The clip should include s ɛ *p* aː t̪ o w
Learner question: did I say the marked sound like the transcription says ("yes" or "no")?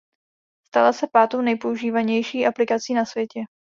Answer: yes